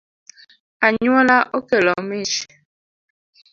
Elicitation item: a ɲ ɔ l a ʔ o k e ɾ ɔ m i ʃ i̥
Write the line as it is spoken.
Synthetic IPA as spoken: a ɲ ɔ l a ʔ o k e l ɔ m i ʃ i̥

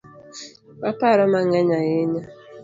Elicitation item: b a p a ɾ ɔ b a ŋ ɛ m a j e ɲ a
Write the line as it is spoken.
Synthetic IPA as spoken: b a p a ɾ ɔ m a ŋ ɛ ɲ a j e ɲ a

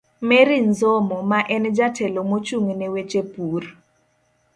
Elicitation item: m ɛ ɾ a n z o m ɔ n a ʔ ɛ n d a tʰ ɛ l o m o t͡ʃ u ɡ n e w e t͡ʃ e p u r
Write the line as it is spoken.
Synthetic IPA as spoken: m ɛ ɾ i n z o m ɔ m a ʔ ɛ n d͡ʒ a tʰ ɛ l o m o t͡ʃ u ŋ n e w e t͡ʃ e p u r

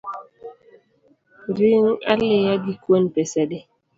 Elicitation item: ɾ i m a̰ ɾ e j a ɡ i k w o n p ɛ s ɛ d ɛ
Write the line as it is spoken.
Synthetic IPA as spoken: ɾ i ŋ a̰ l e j a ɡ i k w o n p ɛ s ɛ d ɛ

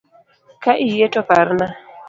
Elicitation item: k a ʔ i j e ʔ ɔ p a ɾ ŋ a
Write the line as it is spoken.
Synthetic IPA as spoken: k a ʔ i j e t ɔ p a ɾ n a

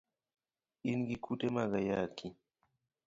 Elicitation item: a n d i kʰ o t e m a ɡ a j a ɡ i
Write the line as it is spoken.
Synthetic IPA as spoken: i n ɡ i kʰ u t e m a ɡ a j a k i

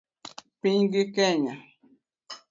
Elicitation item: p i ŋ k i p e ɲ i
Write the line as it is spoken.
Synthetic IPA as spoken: p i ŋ ɡ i k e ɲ a

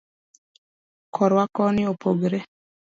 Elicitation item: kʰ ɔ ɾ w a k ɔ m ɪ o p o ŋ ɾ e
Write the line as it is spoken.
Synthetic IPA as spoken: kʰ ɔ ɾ w a k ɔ n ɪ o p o ɡ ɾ e

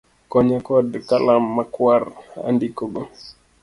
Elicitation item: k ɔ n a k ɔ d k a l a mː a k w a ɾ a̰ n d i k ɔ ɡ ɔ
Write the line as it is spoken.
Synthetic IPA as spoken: k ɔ ɲ a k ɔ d k a l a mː a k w a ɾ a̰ n d i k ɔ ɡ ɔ

